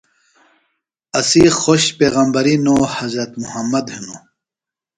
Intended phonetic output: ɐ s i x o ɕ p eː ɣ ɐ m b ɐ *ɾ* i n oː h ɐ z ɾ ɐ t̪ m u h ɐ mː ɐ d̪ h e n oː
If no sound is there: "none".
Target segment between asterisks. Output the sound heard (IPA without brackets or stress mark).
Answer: ɾ